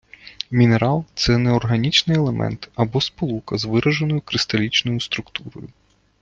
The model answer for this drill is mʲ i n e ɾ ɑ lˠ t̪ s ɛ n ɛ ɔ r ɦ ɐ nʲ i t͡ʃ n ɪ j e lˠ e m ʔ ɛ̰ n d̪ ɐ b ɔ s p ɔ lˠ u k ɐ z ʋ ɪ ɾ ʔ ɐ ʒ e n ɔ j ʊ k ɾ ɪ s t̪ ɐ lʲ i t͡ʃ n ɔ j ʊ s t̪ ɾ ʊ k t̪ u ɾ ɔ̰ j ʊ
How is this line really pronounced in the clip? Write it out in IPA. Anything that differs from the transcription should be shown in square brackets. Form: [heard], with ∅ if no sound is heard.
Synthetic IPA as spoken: mʲ i n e ɾ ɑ lˠ t̪ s ɛ n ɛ ɔ r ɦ ɐ nʲ i t͡ʃ n ɪ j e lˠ e m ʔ ɛ̰ n [t̪] ɐ b ɔ s p ɔ lˠ u k ɐ z ʋ ɪ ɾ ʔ ɐ ʒ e n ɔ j ʊ k ɾ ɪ s t̪ ɐ lʲ i t͡ʃ n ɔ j ʊ s t̪ ɾ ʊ k t̪ u ɾ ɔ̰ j ʊ